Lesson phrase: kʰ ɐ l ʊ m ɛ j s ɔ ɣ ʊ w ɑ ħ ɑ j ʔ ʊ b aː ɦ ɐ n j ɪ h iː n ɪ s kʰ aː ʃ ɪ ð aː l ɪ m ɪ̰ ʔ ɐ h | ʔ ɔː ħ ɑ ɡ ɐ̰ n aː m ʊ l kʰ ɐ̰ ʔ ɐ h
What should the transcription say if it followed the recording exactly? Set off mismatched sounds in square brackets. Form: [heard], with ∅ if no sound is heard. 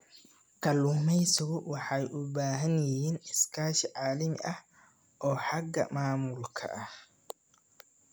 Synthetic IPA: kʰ ɐ l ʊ m ɛ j s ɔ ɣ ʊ w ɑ ħ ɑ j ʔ ʊ b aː ɦ ɐ n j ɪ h iː n ɪ s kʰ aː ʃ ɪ [ʕ] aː l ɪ m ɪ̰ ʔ ɐ h | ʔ ɔː ħ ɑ ɡ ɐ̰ [m] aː m ʊ l kʰ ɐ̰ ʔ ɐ h